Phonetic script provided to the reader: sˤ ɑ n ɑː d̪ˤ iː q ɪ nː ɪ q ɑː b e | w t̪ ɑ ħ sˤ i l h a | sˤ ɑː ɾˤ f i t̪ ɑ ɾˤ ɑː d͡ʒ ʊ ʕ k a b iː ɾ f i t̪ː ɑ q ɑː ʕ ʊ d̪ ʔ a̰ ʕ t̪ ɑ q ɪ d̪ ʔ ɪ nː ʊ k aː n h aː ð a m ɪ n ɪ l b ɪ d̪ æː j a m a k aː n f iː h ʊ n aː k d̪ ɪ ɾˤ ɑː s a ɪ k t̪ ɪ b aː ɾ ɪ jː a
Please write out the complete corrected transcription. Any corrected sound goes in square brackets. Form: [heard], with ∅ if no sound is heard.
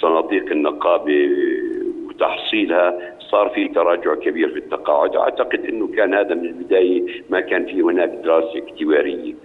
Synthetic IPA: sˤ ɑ n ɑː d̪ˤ iː q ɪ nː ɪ q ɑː b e | w t̪ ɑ ħ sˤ [iː] l h a | sˤ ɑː ɾˤ f i t̪ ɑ ɾˤ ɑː d͡ʒ ʊ ʕ k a b iː ɾ f i t̪ː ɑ q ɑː ʕ ʊ d̪ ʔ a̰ ʕ t̪ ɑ q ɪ d̪ ʔ ɪ nː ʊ k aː n h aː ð a m ɪ n ɪ l b ɪ d̪ [aː] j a m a k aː n f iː h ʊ n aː k d̪ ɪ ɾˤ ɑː s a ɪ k t̪ ɪ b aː ɾ ɪ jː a